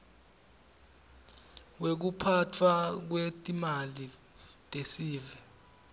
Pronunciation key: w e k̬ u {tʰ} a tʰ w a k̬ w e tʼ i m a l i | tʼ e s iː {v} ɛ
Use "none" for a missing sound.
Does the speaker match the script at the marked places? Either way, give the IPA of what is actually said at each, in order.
pʰ, v

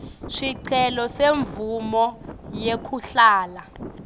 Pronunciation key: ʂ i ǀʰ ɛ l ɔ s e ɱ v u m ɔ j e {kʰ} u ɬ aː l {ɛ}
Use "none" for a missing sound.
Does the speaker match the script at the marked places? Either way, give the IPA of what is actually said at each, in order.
kʰ, a

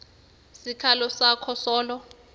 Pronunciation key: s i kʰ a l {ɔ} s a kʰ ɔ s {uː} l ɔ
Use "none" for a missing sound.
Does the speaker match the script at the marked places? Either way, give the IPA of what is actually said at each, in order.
ɔ, ɔː

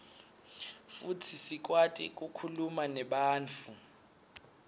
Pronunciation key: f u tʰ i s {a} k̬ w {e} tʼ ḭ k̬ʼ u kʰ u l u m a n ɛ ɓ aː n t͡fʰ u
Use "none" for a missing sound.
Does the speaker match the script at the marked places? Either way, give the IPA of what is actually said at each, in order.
i, a

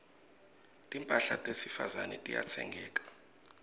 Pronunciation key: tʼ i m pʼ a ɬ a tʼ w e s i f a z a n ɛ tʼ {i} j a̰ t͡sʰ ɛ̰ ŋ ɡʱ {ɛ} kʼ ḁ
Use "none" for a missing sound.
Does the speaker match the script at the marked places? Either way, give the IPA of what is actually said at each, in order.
i, ɛː

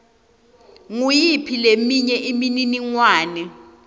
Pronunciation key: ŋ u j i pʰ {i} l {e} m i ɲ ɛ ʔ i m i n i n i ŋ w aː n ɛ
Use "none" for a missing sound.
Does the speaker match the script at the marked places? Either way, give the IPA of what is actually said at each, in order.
i, e

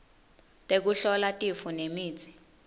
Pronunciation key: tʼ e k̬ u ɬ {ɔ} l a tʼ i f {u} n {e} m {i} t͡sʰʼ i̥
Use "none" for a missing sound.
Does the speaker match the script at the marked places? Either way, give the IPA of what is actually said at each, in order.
ɔ, u, e, iː

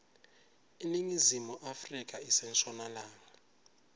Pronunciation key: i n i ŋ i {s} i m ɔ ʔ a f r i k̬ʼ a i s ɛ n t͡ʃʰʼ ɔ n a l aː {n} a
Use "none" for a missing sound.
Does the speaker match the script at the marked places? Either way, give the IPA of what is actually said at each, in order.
z, ŋ

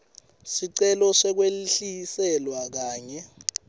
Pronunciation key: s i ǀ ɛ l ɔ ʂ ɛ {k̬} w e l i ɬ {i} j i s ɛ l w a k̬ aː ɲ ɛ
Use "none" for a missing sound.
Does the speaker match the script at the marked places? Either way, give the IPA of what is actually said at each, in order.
k̬, i

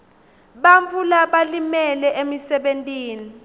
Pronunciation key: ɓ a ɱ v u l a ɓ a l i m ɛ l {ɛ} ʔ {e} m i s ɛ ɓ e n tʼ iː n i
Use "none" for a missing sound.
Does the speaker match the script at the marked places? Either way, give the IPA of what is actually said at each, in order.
ɛ, e

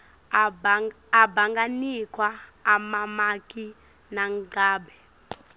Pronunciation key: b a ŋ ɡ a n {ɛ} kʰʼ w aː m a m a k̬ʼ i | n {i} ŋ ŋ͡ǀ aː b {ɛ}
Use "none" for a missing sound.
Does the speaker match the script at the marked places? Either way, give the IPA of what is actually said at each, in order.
i, a, ɛ

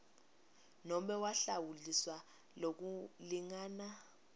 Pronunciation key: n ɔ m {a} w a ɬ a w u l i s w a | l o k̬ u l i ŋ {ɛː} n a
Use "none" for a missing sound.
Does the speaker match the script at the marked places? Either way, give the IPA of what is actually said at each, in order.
ɛ, aː

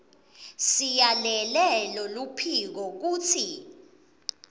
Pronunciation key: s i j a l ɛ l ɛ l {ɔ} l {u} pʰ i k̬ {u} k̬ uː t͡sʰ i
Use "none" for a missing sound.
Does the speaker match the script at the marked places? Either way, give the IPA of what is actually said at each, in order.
ɔ, u, ɔ

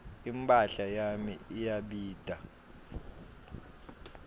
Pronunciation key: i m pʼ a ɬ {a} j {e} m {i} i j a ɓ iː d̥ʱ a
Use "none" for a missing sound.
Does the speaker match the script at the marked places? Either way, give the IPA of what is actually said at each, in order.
a, a, i

